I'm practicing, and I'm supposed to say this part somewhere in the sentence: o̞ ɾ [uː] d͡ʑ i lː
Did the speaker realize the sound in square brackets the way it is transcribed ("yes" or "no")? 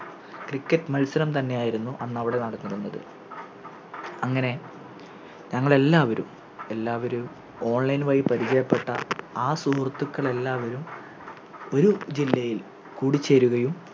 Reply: no